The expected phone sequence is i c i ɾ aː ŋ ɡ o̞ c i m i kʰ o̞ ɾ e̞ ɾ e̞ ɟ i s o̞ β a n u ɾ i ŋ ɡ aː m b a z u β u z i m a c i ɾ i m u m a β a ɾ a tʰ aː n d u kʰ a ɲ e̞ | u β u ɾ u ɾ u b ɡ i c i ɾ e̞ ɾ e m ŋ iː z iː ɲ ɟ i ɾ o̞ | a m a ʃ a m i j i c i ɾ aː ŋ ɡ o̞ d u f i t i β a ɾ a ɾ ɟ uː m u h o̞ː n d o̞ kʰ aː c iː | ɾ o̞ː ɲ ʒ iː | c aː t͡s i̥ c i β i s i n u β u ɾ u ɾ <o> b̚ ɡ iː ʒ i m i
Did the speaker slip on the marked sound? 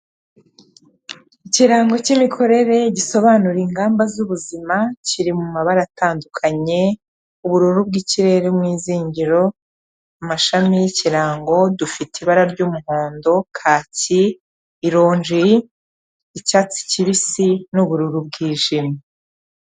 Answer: yes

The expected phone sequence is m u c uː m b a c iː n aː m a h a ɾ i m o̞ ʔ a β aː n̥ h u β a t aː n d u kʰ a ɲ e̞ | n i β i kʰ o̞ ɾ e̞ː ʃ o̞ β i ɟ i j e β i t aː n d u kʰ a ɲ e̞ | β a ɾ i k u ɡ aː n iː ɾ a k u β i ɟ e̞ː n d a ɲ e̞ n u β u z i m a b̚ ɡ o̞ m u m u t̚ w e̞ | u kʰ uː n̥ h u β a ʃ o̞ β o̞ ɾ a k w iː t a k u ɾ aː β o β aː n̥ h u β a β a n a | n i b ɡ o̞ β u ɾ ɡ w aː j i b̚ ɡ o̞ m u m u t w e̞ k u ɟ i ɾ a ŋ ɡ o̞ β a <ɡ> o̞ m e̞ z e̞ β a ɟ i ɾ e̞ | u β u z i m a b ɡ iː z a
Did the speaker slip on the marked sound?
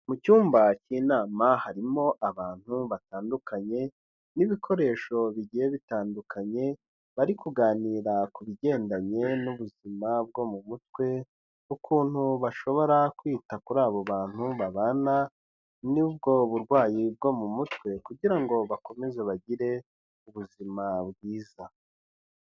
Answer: yes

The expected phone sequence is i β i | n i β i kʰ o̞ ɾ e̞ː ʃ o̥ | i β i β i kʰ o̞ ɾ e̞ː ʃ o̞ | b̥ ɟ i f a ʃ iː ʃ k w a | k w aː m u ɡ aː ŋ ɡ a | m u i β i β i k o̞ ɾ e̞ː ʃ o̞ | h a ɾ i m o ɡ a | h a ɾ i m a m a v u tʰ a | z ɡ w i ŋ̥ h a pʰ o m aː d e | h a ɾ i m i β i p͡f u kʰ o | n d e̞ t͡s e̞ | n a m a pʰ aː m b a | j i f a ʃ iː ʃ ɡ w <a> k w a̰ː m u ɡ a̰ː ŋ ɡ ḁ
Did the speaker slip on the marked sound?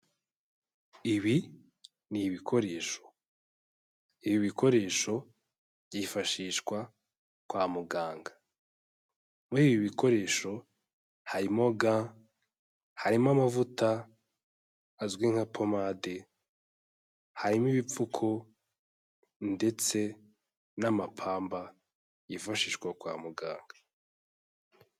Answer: no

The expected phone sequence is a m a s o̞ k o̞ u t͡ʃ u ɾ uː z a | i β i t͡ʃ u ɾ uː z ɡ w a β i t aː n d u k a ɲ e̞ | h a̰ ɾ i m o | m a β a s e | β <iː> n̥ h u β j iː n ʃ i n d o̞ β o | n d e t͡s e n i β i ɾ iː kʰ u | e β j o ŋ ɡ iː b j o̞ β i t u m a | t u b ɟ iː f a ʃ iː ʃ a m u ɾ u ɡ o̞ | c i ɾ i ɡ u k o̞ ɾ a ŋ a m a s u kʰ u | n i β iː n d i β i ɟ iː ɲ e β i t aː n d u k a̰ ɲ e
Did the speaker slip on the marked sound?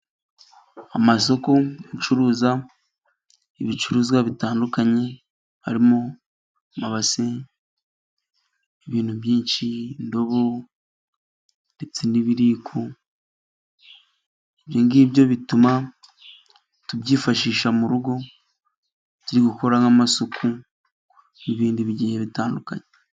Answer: no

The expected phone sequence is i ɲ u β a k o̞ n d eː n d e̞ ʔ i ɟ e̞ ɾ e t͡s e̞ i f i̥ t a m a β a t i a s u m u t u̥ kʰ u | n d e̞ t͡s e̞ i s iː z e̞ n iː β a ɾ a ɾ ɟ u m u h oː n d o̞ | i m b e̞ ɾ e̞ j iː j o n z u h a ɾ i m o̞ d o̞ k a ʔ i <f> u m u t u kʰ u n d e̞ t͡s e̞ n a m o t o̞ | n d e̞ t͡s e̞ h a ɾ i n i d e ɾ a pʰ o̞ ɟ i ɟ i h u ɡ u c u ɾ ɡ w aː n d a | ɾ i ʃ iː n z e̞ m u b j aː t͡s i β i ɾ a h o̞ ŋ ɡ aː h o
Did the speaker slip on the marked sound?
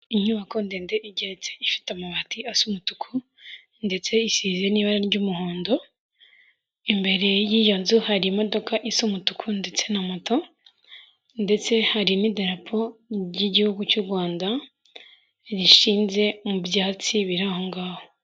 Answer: yes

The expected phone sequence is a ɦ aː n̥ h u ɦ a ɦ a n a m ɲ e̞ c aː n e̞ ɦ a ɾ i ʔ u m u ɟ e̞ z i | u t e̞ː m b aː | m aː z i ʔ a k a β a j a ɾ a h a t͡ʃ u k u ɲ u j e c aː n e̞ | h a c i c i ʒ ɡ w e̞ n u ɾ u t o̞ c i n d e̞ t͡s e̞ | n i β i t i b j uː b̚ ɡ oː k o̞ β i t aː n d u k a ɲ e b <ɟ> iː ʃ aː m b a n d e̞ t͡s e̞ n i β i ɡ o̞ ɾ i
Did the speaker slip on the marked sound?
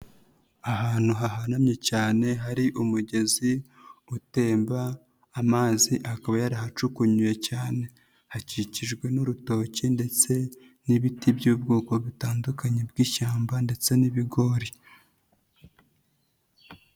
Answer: yes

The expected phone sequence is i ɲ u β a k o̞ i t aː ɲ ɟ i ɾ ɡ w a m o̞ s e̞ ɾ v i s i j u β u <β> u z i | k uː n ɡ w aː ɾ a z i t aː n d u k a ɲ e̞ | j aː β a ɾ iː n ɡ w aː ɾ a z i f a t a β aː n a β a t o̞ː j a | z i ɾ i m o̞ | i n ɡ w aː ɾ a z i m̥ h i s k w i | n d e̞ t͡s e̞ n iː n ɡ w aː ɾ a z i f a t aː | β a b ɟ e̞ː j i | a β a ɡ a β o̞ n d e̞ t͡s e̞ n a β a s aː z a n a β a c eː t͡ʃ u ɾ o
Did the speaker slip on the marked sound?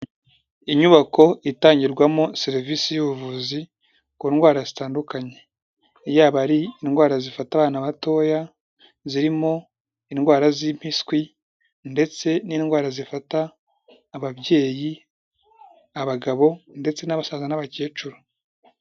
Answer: yes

